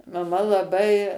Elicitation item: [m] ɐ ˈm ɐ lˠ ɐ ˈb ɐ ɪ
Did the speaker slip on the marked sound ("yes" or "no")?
no